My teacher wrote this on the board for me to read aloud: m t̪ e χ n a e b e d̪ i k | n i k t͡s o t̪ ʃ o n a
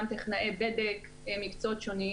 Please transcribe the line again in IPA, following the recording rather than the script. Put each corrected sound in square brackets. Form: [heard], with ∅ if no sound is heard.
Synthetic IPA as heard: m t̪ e χ n a e b e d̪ [e] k | [m] i k t͡s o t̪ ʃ o n [i]